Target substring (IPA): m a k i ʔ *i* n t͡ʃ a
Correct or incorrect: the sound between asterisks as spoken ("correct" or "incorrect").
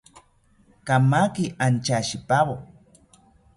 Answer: incorrect